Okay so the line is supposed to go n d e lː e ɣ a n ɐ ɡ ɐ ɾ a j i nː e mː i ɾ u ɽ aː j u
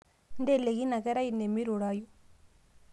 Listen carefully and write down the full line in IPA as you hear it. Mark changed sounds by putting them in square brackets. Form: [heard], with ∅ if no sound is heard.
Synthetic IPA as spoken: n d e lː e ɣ [i] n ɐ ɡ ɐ ɾ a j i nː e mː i ɾ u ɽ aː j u